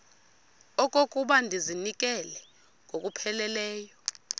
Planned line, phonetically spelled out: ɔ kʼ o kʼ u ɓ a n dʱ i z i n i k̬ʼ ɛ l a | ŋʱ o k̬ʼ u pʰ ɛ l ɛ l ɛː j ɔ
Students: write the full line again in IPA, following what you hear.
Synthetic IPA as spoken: ɔ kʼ o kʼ u ɓ a n dʱ i z i n i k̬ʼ ɛ l ɛ | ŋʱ o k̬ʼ u pʰ ɛ l ɛ l ɛː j ɔ

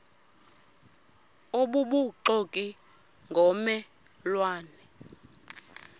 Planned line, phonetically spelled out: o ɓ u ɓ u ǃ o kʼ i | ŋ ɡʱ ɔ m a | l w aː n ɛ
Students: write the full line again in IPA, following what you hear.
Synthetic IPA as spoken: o ɓ u ɓ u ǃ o kʼ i | ŋ ɡʱ ɔ m ɛ | l w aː n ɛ

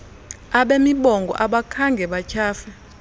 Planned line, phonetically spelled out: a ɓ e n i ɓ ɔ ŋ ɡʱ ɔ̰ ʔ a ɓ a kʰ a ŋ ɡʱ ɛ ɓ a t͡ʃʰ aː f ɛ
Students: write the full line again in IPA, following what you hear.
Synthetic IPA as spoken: a ɓ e m i ɓ ɔ ŋ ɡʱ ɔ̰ ʔ a ɓ a kʰ a ŋ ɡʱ ɛ ɓ a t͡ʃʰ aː f ɛ

